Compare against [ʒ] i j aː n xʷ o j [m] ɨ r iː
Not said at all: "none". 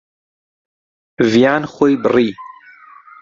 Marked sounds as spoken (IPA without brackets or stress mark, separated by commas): v, b